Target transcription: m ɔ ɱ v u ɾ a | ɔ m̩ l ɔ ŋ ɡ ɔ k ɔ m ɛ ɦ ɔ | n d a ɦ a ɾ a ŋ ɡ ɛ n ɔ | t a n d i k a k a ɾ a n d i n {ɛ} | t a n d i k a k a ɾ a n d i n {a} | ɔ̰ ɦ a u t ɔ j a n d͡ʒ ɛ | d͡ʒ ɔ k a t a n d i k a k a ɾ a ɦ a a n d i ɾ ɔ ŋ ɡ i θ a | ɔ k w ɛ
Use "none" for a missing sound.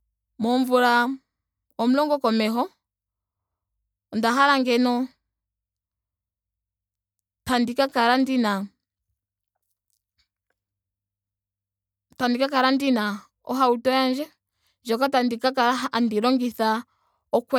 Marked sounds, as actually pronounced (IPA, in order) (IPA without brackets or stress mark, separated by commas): a, a